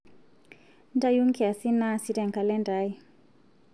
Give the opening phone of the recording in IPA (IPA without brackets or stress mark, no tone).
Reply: n